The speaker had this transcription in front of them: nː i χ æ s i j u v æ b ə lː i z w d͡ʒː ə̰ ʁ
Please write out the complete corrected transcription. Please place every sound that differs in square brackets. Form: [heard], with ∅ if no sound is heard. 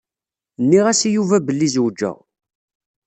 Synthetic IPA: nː i [ʁ] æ s i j u v æ b ə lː i z w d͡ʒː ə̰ ʁ